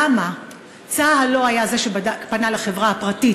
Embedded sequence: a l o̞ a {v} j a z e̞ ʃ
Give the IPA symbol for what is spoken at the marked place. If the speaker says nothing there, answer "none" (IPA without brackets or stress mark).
none